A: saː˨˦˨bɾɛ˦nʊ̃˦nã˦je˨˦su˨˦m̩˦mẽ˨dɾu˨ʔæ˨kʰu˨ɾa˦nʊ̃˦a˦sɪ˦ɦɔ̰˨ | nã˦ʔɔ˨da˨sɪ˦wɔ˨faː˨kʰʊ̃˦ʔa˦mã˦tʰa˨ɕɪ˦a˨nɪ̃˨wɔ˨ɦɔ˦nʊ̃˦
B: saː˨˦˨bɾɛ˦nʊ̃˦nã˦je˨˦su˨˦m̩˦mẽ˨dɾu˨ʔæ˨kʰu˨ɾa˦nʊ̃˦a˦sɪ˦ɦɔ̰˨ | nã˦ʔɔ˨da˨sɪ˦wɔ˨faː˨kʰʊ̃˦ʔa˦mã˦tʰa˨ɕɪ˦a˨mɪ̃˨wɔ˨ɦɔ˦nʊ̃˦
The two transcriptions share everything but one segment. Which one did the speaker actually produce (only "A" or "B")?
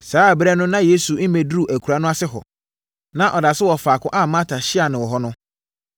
A